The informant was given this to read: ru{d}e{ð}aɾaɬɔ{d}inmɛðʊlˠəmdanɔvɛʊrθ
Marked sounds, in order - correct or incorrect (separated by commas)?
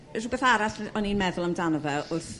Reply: incorrect, incorrect, incorrect